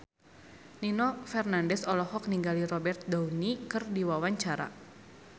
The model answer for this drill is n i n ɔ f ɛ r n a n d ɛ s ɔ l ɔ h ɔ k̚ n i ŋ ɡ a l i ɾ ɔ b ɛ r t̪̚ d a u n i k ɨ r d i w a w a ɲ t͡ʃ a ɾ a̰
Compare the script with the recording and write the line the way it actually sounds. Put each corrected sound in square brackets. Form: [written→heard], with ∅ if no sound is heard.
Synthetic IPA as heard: n i n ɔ f ɛ r n a n d ɛ s ɔ l ɔ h ɔ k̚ n i ŋ ɡ a l i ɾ ɔ b ɛ r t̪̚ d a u n i k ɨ r d i w a w a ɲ t͡ʃ a ɾ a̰